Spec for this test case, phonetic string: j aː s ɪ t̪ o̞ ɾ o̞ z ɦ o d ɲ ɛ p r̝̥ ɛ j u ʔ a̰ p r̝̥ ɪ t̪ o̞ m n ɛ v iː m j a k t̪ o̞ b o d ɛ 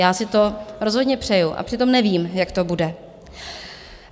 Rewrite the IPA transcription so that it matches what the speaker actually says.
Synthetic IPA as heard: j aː s ɪ t̪ o̞ ɾ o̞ z ɦ o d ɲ ɛ p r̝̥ ɛ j u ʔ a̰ p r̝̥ ɪ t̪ o̞ m n ɛ v iː m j a k t̪ o̞ b u d ɛ